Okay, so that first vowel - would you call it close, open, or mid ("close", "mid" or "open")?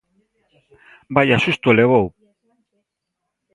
open